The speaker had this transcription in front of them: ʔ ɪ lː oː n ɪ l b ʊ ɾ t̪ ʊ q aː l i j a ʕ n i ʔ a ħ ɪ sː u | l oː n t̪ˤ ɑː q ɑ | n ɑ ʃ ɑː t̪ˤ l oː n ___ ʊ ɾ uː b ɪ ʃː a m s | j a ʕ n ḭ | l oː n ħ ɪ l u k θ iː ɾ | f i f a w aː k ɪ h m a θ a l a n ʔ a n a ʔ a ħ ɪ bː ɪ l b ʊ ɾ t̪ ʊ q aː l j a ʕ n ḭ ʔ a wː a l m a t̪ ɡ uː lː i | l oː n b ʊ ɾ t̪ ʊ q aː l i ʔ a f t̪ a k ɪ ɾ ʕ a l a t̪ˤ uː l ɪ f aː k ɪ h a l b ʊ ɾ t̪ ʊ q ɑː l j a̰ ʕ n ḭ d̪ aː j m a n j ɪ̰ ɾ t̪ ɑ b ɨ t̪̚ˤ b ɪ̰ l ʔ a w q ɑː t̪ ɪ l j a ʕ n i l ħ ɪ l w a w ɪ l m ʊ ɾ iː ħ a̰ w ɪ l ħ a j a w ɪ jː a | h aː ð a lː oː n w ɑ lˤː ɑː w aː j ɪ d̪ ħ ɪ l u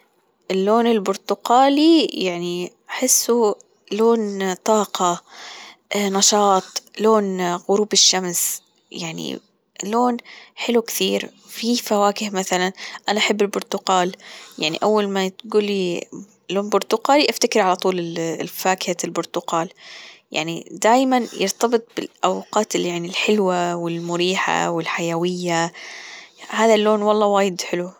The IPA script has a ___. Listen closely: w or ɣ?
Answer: ɣ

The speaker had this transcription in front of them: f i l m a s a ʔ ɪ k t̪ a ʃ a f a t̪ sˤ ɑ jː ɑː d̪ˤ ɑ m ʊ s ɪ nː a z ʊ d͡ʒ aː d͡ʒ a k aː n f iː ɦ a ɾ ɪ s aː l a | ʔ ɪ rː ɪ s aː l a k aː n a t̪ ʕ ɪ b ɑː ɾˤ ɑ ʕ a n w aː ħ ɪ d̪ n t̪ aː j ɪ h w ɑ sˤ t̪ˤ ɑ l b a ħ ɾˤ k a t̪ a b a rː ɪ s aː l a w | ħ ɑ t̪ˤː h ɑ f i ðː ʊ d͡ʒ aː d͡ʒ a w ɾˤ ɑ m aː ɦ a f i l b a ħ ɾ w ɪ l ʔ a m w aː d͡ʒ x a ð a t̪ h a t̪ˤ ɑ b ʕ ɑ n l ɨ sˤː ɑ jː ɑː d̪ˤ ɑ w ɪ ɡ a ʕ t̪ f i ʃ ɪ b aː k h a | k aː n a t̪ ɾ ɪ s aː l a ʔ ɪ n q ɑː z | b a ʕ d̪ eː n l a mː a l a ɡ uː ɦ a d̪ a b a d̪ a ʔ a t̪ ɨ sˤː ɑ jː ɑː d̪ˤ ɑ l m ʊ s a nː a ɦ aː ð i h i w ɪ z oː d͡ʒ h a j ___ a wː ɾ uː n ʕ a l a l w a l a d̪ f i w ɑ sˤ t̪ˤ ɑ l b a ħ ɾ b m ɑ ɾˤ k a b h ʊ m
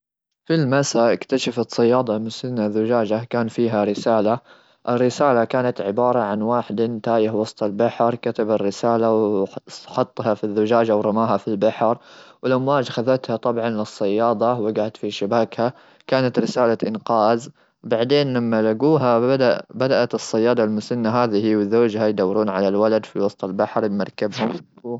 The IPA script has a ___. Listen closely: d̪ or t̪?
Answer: d̪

